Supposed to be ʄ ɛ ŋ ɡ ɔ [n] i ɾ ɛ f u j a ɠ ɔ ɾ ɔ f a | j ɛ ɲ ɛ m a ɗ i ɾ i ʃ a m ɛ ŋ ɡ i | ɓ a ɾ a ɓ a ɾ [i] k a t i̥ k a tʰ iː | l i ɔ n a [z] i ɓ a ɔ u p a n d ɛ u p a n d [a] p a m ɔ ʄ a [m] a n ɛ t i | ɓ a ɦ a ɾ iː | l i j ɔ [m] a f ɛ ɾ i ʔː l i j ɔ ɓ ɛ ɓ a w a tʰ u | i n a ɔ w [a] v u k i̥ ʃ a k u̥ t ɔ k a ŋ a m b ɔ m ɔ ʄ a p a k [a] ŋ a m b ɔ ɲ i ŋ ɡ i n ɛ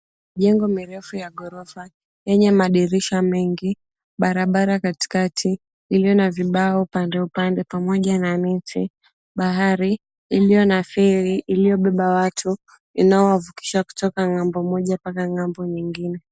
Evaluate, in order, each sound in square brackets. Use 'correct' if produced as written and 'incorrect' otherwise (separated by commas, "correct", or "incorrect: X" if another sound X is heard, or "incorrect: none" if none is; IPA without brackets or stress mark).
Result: incorrect: m, incorrect: a, incorrect: v, incorrect: ɛ, incorrect: n, incorrect: n, correct, correct